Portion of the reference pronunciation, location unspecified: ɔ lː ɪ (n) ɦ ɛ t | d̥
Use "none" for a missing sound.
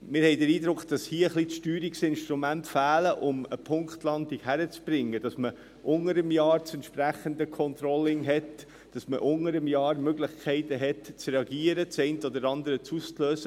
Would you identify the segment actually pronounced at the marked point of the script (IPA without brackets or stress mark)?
ŋ